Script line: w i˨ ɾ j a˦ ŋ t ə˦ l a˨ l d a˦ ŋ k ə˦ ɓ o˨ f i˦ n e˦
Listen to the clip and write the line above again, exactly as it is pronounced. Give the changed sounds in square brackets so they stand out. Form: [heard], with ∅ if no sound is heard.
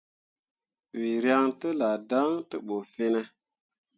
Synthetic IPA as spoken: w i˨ ɾ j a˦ ŋ t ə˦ l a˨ [∅] d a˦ ŋ [t] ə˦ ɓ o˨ f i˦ n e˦